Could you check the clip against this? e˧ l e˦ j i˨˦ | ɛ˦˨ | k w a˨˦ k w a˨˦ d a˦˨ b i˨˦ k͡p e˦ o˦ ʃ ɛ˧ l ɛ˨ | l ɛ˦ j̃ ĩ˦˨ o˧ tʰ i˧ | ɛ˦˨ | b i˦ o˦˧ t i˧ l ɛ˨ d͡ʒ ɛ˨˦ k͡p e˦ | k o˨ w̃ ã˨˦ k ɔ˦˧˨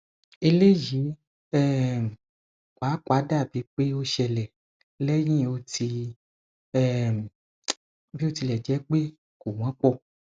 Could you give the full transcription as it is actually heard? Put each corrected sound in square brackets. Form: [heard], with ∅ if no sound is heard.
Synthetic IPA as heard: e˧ l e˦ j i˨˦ | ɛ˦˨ | k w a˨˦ k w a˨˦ d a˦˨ b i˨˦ k͡p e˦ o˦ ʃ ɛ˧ l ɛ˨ | l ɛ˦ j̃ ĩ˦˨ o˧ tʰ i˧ | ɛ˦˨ | b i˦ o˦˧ t i˧ l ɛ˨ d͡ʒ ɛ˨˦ k͡p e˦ | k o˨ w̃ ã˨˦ [k͡p] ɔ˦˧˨